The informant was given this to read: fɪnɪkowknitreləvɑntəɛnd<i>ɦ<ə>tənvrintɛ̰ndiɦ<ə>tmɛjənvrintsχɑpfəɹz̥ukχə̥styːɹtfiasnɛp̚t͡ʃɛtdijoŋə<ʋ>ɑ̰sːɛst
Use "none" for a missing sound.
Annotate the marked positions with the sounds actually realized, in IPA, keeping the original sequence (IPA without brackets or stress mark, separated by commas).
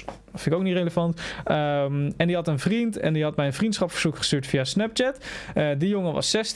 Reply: i, ɑ, ɑ, ʋ